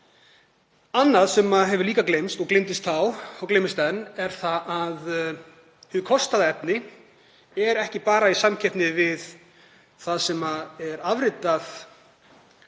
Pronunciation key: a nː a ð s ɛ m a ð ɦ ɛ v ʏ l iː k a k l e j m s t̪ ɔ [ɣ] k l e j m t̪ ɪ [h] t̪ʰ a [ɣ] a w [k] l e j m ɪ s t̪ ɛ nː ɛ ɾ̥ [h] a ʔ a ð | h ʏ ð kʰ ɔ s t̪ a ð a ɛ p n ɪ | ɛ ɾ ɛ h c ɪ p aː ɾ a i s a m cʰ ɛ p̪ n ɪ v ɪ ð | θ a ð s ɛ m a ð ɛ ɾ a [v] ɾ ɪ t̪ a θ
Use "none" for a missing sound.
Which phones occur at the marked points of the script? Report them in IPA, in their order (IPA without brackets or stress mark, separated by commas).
ɣ, s, w, k, θ, v